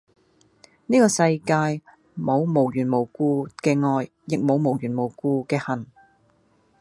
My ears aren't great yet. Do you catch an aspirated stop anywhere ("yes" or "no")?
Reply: no